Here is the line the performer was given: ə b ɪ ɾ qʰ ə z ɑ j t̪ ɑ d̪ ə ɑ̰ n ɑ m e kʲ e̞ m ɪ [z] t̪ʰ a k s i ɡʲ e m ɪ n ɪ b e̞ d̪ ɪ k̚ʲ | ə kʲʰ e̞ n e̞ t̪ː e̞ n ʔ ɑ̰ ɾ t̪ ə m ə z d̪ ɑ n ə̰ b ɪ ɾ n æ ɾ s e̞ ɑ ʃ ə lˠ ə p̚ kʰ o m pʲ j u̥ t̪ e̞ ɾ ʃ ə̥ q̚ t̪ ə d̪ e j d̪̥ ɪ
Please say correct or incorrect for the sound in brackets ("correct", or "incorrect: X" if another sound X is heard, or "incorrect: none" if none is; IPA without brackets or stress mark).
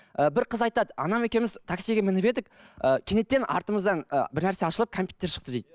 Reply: correct